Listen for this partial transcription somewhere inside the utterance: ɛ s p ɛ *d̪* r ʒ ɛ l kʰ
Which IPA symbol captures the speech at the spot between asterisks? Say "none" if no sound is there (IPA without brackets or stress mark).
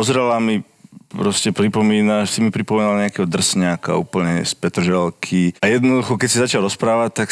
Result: t̪